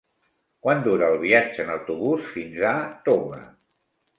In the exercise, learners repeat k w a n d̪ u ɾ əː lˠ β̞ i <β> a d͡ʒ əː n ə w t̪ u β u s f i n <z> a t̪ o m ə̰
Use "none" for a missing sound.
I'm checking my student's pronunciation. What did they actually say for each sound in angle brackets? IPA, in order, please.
none, z

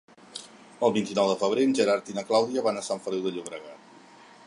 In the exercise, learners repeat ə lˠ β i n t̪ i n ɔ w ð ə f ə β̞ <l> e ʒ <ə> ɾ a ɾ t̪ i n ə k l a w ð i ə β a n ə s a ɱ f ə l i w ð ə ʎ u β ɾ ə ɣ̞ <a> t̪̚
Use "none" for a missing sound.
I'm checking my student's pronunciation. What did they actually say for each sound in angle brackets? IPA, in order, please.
ɾ, ə, a

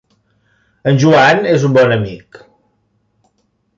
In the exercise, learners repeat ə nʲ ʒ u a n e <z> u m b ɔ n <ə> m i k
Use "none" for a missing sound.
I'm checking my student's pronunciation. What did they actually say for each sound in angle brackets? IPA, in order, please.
z, ə

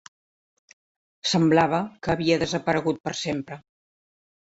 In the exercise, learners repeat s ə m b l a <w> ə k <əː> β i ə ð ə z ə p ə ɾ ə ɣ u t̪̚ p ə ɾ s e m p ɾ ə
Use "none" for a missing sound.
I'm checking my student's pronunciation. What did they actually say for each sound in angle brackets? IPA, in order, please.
β, əː

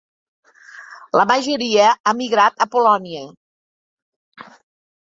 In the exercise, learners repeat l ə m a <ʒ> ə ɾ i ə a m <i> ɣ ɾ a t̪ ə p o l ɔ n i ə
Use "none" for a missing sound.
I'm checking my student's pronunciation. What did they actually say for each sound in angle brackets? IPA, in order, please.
ʒ, i

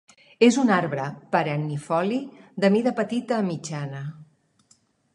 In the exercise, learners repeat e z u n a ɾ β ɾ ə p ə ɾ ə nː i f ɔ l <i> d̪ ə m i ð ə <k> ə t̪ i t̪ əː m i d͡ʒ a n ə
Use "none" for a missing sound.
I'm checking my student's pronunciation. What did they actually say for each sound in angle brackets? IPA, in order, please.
i, p

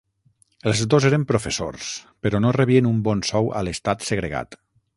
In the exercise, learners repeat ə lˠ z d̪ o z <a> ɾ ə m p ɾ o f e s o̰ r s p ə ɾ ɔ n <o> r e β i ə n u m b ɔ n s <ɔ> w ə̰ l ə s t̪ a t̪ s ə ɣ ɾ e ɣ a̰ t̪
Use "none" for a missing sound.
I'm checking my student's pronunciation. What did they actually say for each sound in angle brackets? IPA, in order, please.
e, o, ɔ

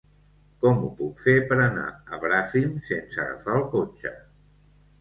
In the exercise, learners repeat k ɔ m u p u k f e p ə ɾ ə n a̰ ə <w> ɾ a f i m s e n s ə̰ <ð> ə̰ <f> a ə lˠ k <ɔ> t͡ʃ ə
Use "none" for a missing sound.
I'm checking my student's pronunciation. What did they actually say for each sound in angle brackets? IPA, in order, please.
β, ɣ, f, o

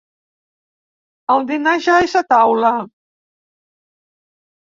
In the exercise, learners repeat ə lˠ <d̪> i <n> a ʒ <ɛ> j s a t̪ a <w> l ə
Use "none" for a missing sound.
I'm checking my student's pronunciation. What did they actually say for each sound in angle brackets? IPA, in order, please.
d̪, n, a, w

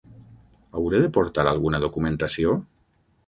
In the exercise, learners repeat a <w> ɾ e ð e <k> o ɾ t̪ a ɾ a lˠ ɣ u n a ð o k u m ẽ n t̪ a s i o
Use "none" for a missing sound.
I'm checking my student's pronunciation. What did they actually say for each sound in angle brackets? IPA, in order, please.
w, p

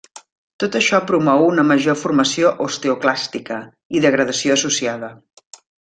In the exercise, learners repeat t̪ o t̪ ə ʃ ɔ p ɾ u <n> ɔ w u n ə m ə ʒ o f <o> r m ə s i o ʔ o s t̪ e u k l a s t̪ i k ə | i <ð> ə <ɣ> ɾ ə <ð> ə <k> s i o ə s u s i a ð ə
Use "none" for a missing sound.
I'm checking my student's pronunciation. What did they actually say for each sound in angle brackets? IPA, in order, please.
m, u, ð, ɣ, ð, none

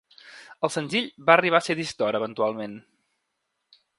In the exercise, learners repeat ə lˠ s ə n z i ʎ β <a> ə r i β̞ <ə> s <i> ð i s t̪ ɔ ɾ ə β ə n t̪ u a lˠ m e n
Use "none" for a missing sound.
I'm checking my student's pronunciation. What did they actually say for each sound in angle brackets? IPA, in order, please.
a, a, e

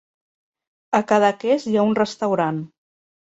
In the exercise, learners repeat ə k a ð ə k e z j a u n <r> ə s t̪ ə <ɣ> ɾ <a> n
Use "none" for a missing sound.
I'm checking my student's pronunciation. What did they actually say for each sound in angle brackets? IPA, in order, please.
r, w, a

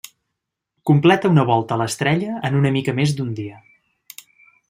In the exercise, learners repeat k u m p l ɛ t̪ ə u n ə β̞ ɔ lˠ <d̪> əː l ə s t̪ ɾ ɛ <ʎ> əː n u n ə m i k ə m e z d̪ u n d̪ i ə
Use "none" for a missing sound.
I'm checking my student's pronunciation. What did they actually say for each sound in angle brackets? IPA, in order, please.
t̪, ʎ

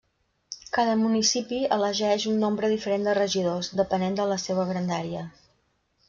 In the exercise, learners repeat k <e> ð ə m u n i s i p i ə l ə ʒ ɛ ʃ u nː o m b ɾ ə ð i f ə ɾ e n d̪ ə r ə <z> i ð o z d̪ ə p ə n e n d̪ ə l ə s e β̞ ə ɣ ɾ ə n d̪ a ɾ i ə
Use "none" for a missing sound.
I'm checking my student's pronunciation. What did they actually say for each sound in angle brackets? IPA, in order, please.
a, ʒ

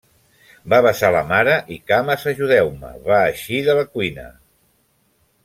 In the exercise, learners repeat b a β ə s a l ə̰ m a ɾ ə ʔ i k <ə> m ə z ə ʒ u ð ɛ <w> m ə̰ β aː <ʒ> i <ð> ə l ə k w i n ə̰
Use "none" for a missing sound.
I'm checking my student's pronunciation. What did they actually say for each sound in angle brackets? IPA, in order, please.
a, w, ʃ, ð

